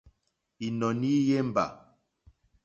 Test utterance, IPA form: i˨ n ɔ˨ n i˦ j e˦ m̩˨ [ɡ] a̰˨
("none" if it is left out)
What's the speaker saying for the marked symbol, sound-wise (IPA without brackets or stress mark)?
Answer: b